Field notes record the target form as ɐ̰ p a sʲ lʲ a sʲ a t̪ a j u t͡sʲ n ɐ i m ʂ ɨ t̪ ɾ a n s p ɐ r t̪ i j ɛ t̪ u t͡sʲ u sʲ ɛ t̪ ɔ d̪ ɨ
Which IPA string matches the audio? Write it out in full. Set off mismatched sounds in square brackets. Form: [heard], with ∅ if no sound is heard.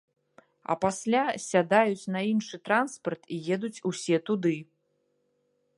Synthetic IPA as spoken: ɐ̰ p a sʲ lʲ a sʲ a [d̪] a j u t͡sʲ n ɐ i [n] ʂ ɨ t̪ ɾ a n s p ɐ r t̪ i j ɛ [d̪] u t͡sʲ u sʲ ɛ t̪ [u] d̪ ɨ